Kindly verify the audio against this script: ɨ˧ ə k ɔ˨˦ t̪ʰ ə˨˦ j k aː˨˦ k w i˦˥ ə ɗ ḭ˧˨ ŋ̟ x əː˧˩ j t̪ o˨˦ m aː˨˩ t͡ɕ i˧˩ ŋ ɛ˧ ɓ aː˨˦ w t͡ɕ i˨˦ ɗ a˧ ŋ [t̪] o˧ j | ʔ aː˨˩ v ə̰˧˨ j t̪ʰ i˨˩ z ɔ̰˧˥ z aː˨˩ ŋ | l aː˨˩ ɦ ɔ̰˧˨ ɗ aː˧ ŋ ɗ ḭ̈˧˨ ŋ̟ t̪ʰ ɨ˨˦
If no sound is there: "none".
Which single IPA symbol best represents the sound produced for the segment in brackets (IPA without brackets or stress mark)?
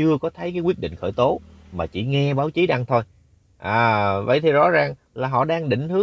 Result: t̪ʰ